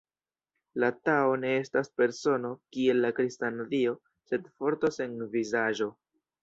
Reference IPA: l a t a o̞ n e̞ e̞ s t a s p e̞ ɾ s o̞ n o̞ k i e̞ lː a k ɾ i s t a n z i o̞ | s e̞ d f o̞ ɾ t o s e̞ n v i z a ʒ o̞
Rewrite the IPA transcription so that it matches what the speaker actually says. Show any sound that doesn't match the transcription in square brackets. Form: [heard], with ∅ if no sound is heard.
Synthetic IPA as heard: l a t a o̞ n e̞ e̞ s t a s p e̞ ɾ s o̞ n o̞ k i e̞ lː a k ɾ i s t a n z i o̞ | s e̞ d f o̞ ɾ t o s e̞ n v i z a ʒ o̞